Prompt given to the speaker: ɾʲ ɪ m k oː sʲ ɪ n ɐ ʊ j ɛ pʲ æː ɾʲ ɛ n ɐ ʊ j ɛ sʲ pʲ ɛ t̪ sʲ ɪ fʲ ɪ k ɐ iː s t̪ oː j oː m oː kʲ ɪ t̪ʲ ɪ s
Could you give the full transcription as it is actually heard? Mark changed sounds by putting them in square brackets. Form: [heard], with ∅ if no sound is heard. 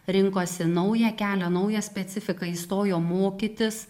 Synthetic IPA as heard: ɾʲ ɪ [ŋ] k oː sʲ ɪ n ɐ ʊ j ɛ [kʲ] æː [lʲ] ɛ n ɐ ʊ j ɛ sʲ pʲ ɛ t̪ sʲ ɪ fʲ ɪ k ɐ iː s t̪ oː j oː m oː kʲ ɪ t̪ʲ ɪ s